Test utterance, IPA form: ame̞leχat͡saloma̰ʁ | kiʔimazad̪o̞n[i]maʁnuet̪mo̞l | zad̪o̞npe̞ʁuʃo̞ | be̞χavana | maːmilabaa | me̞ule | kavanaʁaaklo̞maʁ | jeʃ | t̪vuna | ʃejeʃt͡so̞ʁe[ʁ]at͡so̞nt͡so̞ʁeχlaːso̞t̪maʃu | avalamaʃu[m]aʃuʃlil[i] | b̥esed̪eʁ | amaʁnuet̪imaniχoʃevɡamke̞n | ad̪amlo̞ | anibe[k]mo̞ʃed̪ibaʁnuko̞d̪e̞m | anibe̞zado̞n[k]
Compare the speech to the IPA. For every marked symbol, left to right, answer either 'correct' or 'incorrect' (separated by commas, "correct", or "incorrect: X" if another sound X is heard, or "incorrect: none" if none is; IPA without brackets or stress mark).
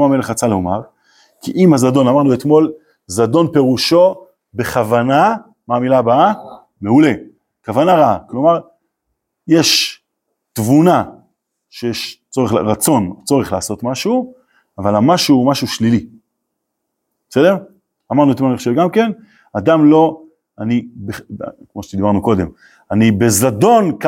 incorrect: a, correct, correct, correct, correct, correct